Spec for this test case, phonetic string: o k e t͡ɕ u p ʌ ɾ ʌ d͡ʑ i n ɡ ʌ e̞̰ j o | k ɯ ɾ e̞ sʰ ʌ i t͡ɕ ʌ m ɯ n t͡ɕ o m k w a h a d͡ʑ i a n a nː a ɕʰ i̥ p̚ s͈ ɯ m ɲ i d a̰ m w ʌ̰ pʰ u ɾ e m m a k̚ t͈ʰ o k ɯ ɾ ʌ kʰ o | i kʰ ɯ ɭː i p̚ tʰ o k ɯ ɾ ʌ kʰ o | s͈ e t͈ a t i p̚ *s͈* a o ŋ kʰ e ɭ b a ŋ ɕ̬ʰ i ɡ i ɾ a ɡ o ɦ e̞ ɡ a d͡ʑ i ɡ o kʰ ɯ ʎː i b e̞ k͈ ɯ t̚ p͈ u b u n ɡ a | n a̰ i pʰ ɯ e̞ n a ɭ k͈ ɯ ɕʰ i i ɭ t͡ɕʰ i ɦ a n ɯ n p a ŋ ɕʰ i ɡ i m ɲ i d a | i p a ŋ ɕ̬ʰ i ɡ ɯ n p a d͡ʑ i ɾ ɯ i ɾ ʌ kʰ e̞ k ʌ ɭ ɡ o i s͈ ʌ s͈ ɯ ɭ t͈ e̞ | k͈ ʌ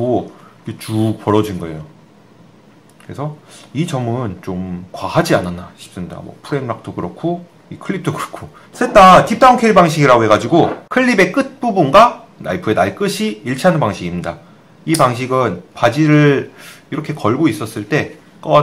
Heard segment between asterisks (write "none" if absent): t͈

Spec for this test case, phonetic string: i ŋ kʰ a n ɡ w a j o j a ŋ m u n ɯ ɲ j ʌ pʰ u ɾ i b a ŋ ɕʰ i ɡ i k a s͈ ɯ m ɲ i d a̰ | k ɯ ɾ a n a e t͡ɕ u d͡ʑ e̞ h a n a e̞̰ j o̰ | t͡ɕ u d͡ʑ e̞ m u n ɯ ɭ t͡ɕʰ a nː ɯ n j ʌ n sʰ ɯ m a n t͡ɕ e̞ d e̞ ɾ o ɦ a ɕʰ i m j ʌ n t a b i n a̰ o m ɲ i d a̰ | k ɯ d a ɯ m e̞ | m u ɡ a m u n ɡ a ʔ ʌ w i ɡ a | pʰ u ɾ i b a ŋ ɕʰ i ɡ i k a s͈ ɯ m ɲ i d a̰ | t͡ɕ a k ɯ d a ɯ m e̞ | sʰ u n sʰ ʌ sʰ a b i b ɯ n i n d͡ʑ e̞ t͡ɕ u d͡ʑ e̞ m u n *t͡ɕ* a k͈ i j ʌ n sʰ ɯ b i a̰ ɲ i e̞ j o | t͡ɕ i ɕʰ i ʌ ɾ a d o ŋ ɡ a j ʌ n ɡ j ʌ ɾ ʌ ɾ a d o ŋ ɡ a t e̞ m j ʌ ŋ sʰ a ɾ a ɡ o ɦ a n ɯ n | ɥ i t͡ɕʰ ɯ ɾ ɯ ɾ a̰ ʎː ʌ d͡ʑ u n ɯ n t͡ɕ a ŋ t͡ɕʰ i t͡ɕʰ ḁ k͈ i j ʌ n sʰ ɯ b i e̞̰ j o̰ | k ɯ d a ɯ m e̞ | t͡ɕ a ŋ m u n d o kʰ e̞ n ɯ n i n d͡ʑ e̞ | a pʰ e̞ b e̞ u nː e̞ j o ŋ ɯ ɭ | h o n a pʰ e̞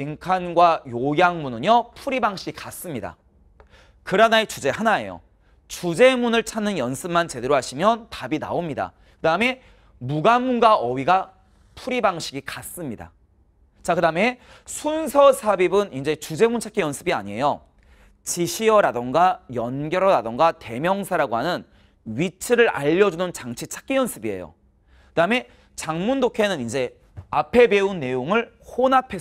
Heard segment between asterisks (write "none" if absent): t͡ɕʰ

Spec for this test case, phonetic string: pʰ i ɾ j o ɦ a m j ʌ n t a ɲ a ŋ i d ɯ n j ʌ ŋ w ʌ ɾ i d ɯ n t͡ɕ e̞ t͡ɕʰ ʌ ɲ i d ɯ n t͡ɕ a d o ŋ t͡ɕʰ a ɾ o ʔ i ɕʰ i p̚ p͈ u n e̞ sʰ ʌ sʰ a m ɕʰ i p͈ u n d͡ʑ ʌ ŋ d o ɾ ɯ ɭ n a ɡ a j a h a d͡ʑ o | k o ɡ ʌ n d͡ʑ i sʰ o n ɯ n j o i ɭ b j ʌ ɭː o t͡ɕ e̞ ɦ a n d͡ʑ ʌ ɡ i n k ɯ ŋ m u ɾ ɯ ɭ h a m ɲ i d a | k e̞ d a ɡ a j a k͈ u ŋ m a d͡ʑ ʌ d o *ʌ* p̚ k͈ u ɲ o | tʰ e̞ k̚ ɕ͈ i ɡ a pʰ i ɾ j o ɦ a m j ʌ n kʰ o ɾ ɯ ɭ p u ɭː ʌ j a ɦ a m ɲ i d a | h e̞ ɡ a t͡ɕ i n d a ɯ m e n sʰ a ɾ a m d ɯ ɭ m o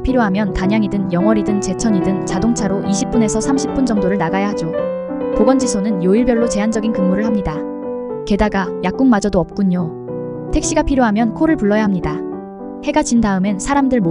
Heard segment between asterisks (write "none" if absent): ʌ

